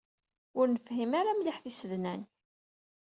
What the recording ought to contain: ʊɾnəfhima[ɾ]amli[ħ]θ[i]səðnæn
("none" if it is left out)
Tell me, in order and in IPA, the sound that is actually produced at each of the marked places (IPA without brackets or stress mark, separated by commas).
ɾ, ħ, i